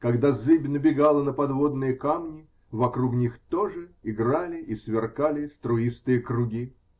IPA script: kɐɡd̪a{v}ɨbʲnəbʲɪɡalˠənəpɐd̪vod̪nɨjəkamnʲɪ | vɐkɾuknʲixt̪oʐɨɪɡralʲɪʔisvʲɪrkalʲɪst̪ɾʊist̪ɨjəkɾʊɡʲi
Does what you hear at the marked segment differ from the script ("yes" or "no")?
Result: yes